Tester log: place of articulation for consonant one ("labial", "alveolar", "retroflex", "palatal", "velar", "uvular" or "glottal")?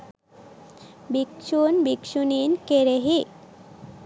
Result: labial